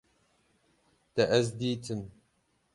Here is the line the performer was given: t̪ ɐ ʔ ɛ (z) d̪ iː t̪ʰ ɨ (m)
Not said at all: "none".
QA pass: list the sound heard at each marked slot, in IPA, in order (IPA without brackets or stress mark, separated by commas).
z, m